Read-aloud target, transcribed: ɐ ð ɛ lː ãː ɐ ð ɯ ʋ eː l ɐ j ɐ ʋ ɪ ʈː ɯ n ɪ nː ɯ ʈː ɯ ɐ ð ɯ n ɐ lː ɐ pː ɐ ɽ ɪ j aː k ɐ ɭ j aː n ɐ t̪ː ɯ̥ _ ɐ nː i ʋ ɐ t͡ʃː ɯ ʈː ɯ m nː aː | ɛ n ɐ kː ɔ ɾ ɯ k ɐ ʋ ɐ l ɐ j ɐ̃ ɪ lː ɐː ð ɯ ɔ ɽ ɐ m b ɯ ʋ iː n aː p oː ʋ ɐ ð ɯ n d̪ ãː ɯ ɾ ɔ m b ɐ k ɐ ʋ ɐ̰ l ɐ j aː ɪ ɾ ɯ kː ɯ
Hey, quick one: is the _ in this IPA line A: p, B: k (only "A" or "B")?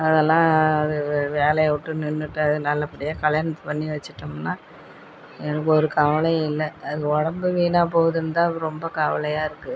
A